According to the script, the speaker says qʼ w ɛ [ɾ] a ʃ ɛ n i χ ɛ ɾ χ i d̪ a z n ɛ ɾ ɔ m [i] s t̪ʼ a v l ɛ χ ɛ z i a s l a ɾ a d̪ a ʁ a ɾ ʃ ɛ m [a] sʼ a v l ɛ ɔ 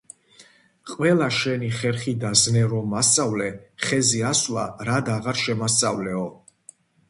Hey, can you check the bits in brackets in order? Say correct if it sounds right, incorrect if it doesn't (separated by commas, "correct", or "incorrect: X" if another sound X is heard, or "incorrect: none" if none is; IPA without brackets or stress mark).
incorrect: l, incorrect: a, correct